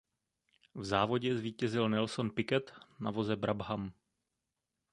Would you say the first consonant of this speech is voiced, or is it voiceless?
voiced